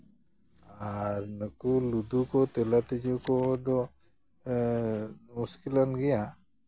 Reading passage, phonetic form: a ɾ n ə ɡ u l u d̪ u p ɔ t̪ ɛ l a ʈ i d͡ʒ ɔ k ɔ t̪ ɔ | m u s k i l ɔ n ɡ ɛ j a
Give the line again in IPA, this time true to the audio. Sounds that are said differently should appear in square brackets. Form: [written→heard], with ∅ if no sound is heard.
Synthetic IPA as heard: a ɾ n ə [ɡ→k] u l u d̪ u [p→k] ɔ t̪ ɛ l a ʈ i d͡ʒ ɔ k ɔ [t̪→d̪] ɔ | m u s k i l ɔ n ɡ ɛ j a